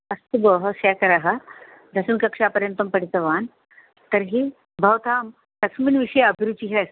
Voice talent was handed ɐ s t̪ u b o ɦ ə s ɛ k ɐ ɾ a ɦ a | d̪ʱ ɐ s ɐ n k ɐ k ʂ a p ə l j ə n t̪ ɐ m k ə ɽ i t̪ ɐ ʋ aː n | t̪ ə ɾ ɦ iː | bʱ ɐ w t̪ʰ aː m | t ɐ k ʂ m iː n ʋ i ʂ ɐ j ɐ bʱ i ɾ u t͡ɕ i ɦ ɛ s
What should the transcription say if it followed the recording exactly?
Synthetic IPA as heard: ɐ s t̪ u b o ɦ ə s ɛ k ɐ ɾ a ɦ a | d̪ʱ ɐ s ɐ n k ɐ k ʂ a p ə ɾ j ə n t̪ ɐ m p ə ɽ i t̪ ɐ ʋ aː n | t̪ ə ɾ ɦ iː | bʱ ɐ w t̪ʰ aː m | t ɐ k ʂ m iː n ʋ i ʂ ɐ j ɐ bʱ i ɾ u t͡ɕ i ɦ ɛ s